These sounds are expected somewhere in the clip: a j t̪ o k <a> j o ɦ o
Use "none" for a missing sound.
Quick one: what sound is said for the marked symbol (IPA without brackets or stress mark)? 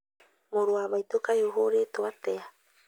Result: a